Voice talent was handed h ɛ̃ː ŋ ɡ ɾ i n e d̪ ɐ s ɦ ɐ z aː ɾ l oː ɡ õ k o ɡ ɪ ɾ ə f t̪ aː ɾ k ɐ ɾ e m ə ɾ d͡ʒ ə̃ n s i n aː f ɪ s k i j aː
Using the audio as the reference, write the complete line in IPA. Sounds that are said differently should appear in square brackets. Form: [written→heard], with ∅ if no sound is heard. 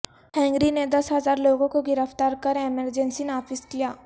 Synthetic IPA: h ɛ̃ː ŋ ɡ ɾ i n e d̪ ɐ s ɦ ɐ z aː ɾ l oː ɡ õ k o ɡ ɪ ɾ ə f t̪ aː ɾ k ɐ ɾ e m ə ɾ d͡ʒ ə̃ n s i n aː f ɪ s k i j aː